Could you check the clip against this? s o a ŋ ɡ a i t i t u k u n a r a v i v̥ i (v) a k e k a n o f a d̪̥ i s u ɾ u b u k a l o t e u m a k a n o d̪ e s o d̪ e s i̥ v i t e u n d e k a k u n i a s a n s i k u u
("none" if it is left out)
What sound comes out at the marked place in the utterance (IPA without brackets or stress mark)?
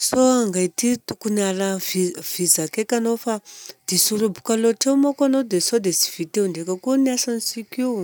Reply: z